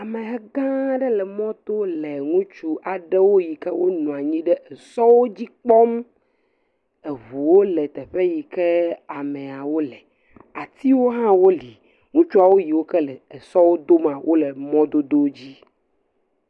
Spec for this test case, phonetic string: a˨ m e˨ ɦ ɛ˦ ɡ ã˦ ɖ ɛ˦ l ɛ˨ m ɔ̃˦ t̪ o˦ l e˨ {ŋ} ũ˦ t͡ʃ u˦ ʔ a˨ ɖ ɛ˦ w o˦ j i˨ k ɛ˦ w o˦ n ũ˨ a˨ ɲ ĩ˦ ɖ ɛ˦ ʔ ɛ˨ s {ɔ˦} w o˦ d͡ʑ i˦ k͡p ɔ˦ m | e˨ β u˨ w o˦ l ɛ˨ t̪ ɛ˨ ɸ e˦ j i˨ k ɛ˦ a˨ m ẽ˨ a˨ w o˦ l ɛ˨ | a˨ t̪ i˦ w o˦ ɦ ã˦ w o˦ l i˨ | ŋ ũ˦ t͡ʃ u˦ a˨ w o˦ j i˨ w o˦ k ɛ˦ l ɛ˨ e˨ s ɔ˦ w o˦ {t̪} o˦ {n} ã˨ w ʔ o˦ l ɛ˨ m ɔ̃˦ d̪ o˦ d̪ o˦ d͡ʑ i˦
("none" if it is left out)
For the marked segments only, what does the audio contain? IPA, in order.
ŋ, ɔ˦, d̪, m

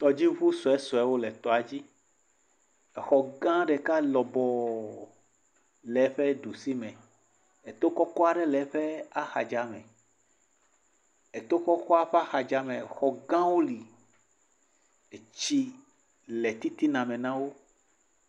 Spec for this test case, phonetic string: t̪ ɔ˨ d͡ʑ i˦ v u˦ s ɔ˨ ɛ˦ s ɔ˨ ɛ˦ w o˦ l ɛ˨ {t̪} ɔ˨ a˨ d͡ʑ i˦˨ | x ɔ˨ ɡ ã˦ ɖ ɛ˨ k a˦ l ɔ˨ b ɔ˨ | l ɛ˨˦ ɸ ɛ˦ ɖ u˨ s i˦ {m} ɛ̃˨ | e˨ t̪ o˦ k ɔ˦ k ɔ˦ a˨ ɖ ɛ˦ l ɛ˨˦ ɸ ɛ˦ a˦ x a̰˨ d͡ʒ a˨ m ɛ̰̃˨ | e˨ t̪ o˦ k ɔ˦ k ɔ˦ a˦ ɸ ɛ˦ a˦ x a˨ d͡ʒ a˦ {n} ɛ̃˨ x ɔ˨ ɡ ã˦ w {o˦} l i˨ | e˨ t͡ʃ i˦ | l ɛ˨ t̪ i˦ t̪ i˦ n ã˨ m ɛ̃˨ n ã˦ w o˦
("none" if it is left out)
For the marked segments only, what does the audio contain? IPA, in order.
t̪, m, m, o˦

